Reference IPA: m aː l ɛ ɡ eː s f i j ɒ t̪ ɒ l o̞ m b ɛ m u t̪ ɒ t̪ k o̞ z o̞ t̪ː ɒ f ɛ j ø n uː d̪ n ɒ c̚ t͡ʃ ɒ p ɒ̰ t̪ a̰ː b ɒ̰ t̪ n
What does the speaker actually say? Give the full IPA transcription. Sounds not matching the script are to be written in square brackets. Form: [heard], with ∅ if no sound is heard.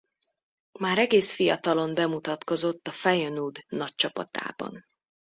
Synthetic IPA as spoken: m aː [ɾ] ɛ ɡ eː s f i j ɒ t̪ ɒ l o̞ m b ɛ m u t̪ ɒ t̪ k o̞ z o̞ t̪ː ɒ f ɛ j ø n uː d̪ n ɒ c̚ t͡ʃ ɒ p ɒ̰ t̪ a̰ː b ɒ̰ [∅] n